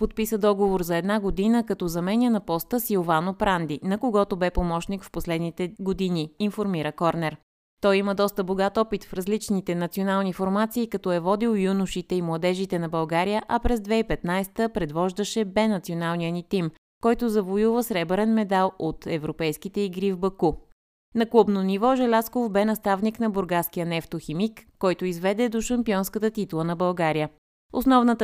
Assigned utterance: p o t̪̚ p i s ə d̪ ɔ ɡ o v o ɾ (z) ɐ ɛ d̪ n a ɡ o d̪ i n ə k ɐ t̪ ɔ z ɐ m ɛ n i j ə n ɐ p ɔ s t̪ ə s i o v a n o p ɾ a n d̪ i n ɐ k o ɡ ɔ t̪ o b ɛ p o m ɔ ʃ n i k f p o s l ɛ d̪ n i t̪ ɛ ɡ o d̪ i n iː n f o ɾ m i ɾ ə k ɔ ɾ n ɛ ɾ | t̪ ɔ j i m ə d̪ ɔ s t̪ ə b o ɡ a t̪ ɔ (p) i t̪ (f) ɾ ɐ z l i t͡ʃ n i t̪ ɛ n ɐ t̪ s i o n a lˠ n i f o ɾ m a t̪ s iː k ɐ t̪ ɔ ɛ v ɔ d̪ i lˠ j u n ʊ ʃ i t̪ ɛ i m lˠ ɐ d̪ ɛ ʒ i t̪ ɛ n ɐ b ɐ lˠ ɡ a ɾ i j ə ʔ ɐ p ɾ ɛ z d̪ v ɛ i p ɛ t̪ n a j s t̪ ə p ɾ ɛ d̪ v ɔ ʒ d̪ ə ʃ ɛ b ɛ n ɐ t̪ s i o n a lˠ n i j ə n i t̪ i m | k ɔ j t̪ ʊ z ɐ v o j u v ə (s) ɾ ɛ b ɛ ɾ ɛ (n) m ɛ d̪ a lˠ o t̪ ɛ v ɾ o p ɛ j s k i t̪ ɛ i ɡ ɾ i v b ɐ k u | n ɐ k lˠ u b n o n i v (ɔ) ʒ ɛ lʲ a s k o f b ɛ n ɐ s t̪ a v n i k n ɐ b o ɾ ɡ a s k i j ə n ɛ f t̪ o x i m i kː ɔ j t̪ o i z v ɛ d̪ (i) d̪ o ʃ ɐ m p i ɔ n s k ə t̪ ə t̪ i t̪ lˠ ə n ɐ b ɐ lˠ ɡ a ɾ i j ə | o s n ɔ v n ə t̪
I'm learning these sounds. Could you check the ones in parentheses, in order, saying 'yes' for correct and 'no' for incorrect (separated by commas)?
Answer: yes, yes, yes, yes, yes, yes, no